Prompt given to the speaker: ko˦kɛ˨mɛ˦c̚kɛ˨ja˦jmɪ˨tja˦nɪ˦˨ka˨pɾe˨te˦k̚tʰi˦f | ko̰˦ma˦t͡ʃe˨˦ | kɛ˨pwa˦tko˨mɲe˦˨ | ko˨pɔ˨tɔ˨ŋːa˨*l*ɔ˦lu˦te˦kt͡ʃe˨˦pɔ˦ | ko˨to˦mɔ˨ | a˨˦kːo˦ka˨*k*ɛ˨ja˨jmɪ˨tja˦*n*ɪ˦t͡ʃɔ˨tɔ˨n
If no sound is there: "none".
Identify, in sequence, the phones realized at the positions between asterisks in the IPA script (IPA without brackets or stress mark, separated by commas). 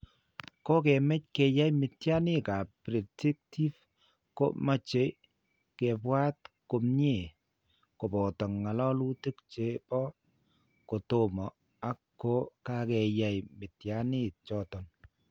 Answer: l, k, n